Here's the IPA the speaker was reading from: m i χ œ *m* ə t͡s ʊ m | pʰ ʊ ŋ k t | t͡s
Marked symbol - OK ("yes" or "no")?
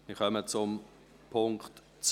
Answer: yes